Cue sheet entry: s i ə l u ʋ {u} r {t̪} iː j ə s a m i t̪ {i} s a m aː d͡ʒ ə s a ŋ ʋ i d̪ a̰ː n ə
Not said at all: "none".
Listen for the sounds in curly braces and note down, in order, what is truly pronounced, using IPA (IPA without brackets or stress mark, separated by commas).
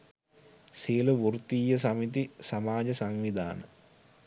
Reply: u, t̪, i